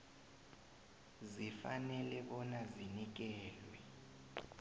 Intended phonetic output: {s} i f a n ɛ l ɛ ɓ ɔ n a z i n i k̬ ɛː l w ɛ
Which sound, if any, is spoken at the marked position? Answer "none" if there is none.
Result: z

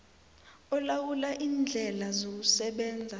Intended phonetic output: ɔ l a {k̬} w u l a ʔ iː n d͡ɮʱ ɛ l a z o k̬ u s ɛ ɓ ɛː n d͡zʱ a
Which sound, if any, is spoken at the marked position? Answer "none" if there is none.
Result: none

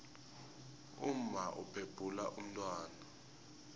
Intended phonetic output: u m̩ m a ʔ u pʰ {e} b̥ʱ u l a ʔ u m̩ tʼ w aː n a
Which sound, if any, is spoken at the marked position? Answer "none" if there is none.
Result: e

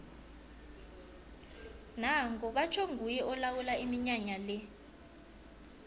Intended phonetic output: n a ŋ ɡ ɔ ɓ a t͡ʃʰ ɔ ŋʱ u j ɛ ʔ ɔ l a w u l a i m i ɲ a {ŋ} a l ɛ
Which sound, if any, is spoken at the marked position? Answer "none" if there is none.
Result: ɲ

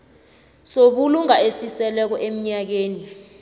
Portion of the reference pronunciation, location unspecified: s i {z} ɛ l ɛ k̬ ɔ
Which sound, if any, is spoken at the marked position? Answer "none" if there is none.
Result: s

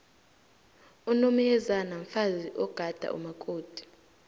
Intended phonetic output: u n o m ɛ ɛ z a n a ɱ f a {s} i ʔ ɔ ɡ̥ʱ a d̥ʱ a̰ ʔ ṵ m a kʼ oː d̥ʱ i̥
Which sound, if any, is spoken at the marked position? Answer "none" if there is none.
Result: z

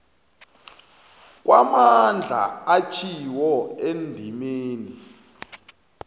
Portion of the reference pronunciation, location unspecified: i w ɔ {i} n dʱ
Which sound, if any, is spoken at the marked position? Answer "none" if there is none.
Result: e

